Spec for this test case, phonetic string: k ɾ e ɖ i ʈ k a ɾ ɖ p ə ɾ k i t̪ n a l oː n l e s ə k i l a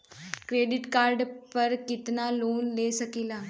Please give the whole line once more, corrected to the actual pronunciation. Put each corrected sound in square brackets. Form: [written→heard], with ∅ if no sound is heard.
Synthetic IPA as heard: k ɾ e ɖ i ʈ k a ɾ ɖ p ə ɾ k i t̪ n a l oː n l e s ə k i l a